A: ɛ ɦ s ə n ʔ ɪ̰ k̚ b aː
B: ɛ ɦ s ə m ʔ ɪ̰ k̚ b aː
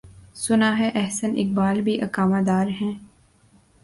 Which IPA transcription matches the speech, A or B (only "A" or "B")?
A